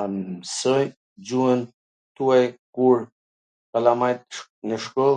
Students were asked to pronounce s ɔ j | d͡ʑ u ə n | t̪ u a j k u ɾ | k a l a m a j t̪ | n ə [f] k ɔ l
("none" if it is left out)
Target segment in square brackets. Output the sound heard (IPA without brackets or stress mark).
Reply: ʃ